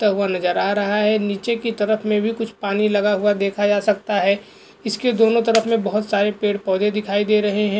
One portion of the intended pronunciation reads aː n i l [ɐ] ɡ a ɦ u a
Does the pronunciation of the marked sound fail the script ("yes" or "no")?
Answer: no